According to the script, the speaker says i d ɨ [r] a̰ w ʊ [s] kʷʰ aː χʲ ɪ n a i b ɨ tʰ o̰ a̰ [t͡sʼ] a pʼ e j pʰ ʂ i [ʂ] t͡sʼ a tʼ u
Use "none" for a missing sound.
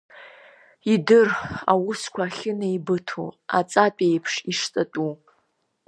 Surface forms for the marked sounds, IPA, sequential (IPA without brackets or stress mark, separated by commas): r, s, t͡sʼ, ʂ